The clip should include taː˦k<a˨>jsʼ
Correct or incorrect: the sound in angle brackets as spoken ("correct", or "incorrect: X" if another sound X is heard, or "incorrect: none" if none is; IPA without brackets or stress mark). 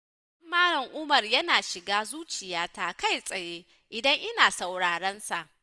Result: incorrect: a˦